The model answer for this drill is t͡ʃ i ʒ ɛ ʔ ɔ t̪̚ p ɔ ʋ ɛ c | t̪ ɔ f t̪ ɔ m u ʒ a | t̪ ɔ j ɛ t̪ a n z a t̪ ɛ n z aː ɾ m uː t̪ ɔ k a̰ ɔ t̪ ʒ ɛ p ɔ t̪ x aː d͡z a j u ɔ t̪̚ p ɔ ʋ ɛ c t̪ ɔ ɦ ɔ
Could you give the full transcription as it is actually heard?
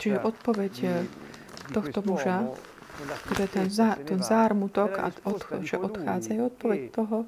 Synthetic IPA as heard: t͡ʃ i ʒ ɛ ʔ ɔ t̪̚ p ɔ ʋ ɛ c | t̪ ɔ x t̪ ɔ m u ʒ a | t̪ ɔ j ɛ t̪ ɛ n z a t̪ ɛ n z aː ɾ m u t̪ ɔ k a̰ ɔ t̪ ʒ ɛ ʔ ɔ t̪ x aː d͡z a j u ɔ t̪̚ p ɔ ʋ ɛ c t̪ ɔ ɦ ɔ